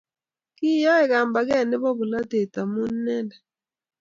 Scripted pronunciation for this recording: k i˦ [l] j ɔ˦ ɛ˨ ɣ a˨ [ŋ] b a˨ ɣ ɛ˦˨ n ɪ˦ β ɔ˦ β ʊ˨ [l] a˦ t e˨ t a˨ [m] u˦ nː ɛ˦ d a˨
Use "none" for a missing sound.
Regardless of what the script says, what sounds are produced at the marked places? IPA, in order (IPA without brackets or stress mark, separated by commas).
none, m, l, m